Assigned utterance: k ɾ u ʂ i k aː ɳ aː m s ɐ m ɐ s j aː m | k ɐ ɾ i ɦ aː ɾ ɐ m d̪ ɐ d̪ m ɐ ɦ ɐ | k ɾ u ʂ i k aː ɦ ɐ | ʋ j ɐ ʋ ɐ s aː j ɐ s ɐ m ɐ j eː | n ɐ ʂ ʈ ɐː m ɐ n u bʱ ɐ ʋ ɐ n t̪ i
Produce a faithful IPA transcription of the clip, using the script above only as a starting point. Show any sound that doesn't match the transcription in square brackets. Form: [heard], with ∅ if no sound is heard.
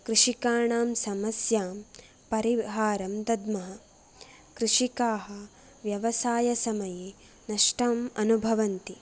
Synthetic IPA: k ɾ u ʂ i k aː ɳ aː m s ɐ m ɐ s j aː m | [p] ɐ ɾ i ɦ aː ɾ ɐ m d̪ ɐ d̪ m ɐ ɦ ɐ | k ɾ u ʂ i k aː ɦ ɐ | ʋ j ɐ ʋ ɐ s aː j ɐ s ɐ m ɐ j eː | n ɐ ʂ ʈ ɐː m ɐ n u bʱ ɐ ʋ ɐ n t̪ i